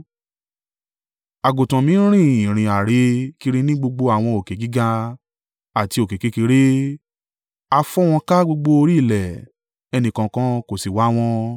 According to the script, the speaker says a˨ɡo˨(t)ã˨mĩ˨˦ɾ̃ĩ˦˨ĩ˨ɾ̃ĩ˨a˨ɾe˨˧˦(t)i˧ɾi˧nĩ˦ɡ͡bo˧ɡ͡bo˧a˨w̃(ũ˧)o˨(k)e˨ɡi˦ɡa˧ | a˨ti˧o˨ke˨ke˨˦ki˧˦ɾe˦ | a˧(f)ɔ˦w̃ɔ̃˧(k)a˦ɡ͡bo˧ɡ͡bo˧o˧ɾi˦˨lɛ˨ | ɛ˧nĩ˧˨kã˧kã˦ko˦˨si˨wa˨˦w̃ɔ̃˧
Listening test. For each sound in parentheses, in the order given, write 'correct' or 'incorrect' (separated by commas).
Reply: correct, incorrect, incorrect, correct, correct, correct